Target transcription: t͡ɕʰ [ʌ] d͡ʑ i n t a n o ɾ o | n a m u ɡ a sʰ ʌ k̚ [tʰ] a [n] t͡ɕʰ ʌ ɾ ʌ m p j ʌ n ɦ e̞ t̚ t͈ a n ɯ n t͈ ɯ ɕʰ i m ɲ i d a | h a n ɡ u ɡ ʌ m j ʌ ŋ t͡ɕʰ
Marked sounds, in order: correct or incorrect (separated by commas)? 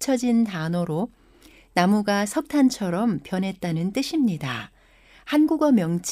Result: correct, correct, correct